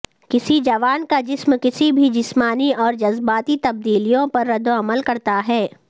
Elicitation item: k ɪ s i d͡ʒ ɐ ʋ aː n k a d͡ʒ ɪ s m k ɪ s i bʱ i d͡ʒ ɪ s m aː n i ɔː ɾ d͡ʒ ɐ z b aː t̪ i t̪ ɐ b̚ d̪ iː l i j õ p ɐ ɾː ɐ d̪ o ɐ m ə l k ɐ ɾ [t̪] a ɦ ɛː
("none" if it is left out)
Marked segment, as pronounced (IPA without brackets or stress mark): t̪